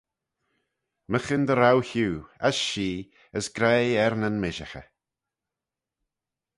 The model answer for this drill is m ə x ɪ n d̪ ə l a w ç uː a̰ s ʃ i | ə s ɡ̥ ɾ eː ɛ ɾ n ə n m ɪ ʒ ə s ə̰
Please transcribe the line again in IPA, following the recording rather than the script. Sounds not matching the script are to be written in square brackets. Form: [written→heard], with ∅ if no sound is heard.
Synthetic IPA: m ə x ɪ n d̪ ə [l→ɾ] a w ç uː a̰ s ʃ [i→iː] | ə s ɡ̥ ɾ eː ɛ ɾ n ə n m ɪ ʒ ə [s→x] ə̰